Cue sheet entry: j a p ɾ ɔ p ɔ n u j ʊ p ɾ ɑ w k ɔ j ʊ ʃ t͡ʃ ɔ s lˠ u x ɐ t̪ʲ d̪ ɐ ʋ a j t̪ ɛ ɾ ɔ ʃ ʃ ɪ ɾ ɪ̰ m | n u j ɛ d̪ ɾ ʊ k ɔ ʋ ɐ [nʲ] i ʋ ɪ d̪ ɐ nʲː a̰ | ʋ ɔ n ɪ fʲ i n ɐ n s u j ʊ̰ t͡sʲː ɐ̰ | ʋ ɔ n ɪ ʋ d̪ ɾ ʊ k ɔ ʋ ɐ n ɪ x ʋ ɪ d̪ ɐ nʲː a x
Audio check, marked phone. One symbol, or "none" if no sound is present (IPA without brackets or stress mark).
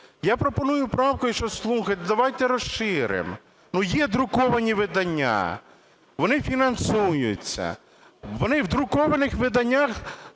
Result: nʲ